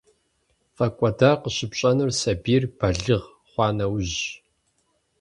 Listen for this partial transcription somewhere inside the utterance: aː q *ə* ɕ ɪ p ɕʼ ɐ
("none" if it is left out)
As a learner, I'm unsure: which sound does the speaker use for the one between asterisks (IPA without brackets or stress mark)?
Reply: ə